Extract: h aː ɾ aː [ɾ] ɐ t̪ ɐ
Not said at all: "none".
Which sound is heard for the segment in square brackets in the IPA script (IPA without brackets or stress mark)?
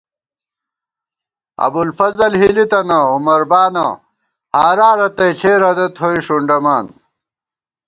ɾ